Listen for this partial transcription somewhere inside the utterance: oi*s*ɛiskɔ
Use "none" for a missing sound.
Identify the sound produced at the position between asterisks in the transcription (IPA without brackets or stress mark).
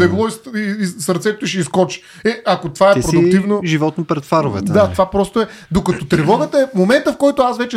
ʃ